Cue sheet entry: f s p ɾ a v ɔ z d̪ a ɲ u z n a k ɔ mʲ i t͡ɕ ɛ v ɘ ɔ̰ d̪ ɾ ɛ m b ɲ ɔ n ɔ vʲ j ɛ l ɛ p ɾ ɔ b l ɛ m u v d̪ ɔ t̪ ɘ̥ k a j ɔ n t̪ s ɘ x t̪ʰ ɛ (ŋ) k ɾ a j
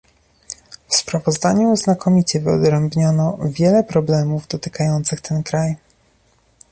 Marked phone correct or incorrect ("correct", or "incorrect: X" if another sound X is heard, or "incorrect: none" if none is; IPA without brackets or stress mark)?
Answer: incorrect: n